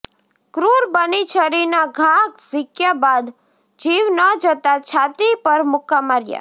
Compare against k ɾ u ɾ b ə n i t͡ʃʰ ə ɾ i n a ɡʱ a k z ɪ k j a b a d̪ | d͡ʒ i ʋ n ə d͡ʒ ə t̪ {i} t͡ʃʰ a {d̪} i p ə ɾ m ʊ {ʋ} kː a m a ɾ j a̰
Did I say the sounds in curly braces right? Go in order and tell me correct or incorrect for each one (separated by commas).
incorrect, incorrect, incorrect